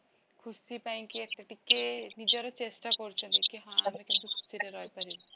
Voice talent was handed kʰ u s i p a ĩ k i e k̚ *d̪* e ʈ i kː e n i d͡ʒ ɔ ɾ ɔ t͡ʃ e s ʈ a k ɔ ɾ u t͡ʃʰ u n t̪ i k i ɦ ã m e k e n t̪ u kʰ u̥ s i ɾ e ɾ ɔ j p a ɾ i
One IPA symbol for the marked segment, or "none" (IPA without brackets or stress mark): t̪